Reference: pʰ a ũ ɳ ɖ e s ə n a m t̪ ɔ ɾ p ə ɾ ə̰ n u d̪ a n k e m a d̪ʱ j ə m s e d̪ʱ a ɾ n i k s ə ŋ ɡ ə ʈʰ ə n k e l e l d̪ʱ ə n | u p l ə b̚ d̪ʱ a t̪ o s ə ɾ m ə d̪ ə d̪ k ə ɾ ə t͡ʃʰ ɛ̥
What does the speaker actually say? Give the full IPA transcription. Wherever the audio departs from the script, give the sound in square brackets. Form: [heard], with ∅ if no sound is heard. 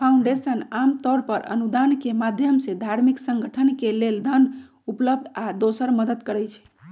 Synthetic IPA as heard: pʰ a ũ ɳ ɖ e s ə n a m t̪ ɔ ɾ p ə ɾ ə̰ n u d̪ a n k e m a d̪ʱ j ə m s e d̪ʱ a ɾ [m] i k s ə ŋ ɡ ə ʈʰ ə n k e l e l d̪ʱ ə n | u p l ə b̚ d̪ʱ a [d̪] o s ə ɾ m ə d̪ ə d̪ k ə ɾ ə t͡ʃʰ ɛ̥